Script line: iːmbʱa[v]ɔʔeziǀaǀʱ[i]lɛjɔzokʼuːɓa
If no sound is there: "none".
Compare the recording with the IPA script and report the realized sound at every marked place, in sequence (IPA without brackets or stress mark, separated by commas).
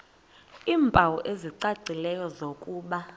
w, i